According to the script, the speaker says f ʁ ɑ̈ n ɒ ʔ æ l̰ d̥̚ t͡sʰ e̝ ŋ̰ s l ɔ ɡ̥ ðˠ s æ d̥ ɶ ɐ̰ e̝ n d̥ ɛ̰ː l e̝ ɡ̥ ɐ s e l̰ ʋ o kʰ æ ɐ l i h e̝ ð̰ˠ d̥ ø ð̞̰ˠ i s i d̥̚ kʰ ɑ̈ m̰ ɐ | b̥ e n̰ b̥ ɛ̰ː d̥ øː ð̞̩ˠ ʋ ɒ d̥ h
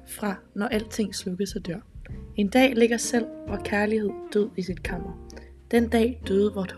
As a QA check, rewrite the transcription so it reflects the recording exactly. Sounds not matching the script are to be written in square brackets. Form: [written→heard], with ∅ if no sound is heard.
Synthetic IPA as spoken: f ʁ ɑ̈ n ɒ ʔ æ l̰ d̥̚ t͡sʰ e̝ ŋ̰ s l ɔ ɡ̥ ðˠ s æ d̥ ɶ ɐ̰ e̝ n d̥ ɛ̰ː l e̝ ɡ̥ ɐ s e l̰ ʋ [o→ɒ] kʰ æ ɐ l i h e̝ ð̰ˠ d̥ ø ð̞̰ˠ i s i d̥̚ kʰ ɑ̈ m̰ ɐ | [b̥→d̥] e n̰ [b̥→d̥] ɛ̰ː d̥ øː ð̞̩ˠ ʋ ɒ d̥ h